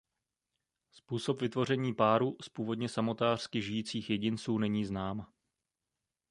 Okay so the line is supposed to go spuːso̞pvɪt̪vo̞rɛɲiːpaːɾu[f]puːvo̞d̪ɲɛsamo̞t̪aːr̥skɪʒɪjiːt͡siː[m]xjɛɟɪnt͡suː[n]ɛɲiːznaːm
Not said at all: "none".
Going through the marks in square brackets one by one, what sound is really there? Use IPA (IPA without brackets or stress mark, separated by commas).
s, none, n